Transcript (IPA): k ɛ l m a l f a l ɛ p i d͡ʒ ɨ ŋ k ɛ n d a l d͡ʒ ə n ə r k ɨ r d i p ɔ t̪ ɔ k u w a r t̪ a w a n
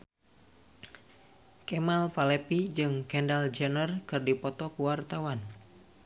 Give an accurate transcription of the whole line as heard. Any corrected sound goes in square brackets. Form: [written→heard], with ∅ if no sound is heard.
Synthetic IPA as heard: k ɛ [l→∅] m a l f a l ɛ p i d͡ʒ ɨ ŋ k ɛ n d a l d͡ʒ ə n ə r k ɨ r d i p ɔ t̪ ɔ k u w a r t̪ a w a n